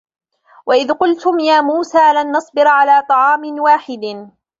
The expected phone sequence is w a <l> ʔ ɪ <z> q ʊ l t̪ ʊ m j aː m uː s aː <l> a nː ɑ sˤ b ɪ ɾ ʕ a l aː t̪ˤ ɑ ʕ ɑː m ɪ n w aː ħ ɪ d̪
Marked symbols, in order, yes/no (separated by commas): no, no, yes